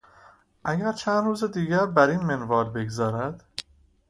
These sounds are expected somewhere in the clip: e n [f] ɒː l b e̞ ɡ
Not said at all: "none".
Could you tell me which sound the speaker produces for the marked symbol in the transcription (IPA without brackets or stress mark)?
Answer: v